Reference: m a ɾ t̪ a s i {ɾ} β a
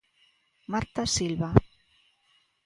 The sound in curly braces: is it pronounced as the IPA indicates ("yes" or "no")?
no